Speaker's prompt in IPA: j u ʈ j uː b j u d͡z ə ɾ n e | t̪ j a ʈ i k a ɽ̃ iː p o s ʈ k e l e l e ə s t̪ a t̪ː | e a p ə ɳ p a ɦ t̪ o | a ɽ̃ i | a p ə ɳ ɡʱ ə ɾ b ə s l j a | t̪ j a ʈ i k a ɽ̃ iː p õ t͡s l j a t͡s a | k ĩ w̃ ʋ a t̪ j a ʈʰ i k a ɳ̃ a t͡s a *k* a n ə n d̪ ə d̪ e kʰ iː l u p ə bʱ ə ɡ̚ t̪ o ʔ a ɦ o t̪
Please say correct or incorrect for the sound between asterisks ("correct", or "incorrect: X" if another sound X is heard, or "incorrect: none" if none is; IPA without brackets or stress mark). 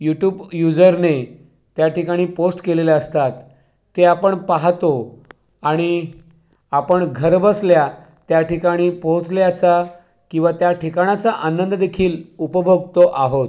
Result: incorrect: ʔ